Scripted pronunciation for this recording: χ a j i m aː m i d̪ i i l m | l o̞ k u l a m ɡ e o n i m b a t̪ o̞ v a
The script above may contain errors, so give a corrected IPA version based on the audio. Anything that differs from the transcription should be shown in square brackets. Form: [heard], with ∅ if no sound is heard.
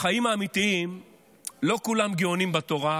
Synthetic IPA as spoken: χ a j i m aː m i [t̪] i i [∅] m | l o̞ k u l a m ɡ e o n i m b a t̪ o̞ [ʁ] a